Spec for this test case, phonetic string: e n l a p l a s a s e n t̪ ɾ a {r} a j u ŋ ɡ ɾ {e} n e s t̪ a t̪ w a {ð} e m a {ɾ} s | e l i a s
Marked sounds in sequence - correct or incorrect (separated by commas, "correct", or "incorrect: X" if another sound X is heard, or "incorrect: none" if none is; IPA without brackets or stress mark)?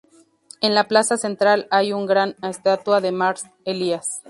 incorrect: l, incorrect: a, correct, correct